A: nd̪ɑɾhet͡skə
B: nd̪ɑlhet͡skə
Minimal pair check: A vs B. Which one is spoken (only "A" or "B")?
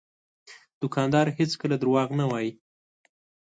A